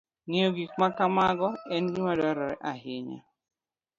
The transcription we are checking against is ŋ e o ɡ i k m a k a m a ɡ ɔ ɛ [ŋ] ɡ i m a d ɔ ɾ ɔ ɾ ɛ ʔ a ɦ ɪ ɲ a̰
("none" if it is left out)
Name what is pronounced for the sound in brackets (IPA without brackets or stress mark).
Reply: n